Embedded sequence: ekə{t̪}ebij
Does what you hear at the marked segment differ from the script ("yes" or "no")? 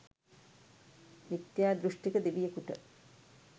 yes